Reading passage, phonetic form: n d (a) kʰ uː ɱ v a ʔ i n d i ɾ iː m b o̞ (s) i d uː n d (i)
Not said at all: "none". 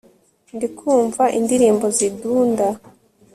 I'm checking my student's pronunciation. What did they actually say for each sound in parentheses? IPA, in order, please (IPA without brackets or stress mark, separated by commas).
i, z, a